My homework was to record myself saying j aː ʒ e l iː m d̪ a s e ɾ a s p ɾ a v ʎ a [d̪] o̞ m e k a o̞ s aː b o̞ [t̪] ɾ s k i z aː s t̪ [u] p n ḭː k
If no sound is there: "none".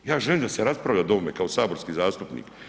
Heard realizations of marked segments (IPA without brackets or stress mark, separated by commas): d̪, none, u